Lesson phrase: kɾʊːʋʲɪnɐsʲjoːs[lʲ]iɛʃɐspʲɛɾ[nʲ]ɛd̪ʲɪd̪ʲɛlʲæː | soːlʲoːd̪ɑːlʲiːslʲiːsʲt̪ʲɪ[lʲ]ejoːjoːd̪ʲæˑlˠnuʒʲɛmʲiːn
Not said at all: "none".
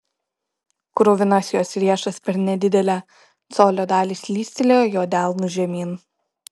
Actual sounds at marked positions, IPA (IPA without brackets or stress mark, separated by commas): ɾʲ, nʲ, lʲ